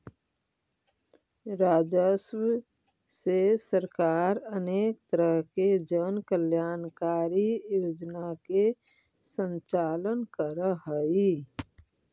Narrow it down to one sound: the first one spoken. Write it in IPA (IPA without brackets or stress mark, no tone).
ɾ